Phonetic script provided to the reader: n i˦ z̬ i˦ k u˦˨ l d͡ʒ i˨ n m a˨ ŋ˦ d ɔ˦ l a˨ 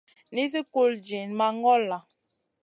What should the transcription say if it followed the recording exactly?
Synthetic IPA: n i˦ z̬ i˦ k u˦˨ l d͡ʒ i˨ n m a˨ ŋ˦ ɡ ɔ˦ l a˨